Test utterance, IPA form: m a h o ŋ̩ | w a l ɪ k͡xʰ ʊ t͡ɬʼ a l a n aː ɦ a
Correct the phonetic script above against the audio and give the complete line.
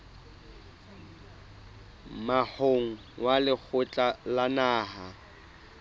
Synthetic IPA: m a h o ŋ̩ | w a l ɪ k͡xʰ ʊ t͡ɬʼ a l a n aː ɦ a